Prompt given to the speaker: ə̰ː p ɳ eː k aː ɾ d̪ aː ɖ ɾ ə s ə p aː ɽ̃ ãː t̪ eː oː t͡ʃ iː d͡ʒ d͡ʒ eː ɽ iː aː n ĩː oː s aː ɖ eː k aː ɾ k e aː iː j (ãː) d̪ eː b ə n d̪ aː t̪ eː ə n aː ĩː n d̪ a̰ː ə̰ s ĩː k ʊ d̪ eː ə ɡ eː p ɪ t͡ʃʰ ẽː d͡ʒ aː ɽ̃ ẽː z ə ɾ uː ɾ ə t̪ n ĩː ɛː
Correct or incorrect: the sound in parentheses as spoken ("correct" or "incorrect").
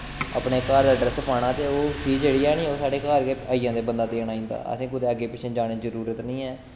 correct